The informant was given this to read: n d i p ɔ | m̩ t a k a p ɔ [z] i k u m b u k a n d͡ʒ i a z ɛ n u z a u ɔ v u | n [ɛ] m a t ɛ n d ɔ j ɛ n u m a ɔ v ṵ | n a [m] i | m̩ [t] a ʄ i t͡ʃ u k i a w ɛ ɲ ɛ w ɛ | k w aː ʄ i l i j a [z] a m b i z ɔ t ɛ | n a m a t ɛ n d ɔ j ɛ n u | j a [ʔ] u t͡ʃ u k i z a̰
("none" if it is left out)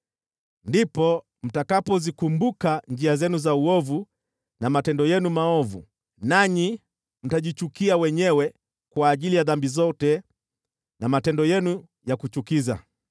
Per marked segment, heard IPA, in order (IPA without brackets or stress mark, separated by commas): z, a, ɲ, t, ð, k